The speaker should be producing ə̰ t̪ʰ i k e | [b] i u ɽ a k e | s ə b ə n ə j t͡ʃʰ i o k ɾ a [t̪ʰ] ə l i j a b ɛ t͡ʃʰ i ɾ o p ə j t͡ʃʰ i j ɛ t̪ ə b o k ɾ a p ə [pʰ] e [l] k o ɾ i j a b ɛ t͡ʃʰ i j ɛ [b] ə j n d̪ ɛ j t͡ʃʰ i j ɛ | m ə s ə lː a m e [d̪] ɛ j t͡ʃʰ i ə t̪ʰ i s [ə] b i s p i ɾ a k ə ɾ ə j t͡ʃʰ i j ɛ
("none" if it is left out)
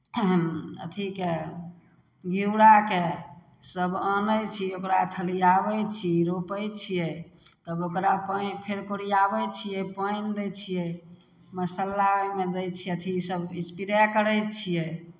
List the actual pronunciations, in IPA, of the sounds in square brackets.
ɡ, t̪ʰ, pʰ, ɾ, p, d̪, ə

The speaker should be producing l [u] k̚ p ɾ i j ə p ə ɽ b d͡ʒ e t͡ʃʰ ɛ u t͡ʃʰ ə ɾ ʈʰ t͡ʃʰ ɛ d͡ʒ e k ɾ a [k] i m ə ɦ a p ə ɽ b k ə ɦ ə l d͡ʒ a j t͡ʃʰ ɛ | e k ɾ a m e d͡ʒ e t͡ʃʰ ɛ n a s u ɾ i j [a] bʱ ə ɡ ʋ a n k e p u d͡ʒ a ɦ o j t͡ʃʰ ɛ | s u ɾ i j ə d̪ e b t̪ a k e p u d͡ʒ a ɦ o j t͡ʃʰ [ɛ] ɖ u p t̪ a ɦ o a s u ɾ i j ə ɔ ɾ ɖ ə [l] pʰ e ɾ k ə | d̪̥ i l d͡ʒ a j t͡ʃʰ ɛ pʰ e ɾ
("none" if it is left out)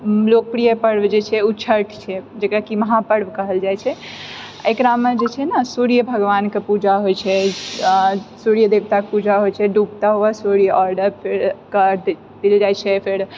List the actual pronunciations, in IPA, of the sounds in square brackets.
o, k, ə, ɛ, ɾ

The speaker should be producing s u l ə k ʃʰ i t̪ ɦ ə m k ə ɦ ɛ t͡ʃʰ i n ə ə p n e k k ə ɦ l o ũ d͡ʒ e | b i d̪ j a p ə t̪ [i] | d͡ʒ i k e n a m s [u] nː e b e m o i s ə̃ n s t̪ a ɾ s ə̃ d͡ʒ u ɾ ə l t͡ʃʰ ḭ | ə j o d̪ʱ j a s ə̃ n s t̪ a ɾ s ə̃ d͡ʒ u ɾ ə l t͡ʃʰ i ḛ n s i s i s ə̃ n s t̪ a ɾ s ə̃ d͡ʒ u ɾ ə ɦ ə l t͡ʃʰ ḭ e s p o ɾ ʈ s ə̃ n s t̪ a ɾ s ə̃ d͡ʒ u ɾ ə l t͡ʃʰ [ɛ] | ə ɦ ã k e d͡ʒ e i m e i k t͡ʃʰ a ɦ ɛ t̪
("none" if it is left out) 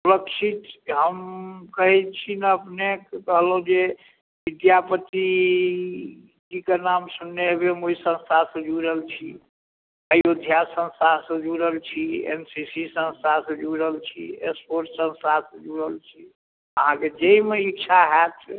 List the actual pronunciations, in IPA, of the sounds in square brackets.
i, u, i

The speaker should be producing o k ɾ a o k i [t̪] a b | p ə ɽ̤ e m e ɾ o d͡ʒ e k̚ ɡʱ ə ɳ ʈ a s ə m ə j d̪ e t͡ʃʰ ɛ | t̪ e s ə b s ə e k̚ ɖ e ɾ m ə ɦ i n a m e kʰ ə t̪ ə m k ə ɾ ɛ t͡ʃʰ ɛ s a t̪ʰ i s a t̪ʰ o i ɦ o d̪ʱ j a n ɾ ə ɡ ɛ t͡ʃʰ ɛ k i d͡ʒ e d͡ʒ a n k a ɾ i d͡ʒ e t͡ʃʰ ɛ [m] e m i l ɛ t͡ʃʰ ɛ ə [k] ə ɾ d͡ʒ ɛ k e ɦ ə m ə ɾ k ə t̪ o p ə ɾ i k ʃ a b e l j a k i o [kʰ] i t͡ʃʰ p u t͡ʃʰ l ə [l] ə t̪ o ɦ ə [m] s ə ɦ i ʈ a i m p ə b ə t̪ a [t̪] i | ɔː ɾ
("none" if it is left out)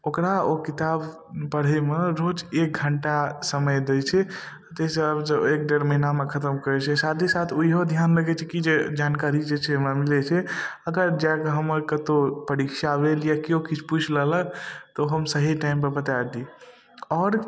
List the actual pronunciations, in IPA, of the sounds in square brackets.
t̪, m, ɡ, k, l, m, d̪

